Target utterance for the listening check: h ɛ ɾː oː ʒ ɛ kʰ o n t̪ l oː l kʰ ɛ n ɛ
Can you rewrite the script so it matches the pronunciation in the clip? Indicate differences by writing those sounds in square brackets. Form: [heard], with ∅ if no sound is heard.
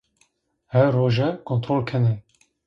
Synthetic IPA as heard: h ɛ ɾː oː ʒ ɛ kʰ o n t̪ [ɾ] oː l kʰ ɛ n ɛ